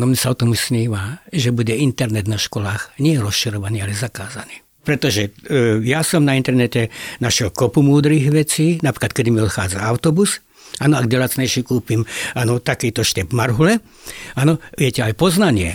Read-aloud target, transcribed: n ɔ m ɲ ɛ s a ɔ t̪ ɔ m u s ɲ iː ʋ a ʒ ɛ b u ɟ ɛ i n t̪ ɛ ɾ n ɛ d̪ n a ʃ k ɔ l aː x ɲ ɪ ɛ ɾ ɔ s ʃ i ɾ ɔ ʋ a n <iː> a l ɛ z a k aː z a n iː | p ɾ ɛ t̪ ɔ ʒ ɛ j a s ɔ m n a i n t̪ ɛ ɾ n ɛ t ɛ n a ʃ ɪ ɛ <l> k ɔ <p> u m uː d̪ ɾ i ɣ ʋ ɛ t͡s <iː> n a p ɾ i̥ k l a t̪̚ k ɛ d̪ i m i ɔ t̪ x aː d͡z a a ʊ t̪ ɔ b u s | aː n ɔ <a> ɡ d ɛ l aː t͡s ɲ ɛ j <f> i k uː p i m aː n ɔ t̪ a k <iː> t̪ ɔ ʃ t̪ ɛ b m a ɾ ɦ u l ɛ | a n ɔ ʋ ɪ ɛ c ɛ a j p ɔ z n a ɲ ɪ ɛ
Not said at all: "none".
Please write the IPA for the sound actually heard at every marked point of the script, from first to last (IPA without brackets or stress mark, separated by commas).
iː, l, p, iː, a, ʃ, iː